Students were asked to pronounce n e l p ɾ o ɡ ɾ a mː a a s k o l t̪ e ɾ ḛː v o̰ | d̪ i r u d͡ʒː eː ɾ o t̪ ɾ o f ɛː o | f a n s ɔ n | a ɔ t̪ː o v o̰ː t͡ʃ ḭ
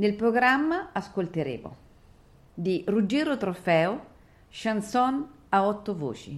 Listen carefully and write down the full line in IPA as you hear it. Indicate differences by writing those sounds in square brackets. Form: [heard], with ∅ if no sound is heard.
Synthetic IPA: n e l p ɾ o ɡ ɾ a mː a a s k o l t̪ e ɾ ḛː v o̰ | d̪ i r u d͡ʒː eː ɾ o t̪ ɾ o f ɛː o | [ʃ] a n s ɔ n | a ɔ t̪ː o v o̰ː t͡ʃ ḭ